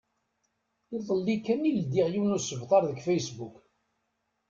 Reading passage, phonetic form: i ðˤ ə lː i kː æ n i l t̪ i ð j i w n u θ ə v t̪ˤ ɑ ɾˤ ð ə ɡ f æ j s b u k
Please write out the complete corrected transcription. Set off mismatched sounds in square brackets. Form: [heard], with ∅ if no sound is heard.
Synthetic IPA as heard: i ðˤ ə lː i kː æ n i l [d̪] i [ʁ] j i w n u [s] ə v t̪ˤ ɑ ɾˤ ð ə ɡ f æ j s b u k